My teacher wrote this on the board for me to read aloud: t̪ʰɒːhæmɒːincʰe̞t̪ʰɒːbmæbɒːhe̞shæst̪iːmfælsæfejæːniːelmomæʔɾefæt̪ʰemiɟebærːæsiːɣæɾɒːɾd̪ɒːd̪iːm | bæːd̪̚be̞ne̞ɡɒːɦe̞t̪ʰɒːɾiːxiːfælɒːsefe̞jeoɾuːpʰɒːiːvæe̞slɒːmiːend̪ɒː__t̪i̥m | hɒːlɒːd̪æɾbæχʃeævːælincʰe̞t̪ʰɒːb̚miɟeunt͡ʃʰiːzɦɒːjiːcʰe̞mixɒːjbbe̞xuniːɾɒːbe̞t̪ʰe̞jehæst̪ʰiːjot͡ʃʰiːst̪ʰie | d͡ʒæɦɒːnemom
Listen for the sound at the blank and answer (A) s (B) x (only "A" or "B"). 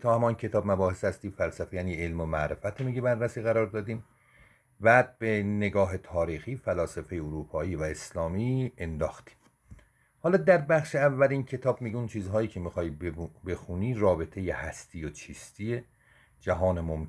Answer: B